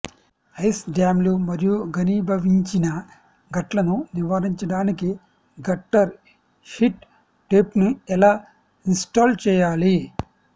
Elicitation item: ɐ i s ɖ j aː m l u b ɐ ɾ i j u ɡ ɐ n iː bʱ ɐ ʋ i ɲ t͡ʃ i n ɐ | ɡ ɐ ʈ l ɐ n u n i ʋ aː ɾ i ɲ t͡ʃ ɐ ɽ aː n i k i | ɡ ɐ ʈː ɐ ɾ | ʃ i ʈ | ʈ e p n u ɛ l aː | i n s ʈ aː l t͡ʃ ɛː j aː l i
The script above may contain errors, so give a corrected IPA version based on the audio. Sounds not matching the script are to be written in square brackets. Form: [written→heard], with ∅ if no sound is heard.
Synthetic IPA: ɐ [i→j] s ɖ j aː m l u [b→m] ɐ ɾ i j u ɡ ɐ n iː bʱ ɐ ʋ i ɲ t͡ʃ i n ɐ | ɡ ɐ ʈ l ɐ n u n i ʋ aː ɾ i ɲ t͡ʃ ɐ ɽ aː n i k i | ɡ ɐ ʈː ɐ ɾ | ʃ i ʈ | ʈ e p n u ɛ l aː | i n s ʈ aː l t͡ʃ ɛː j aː l i